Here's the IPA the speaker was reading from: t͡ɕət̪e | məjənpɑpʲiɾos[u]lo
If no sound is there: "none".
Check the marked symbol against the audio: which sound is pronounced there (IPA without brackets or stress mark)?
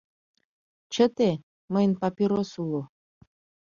u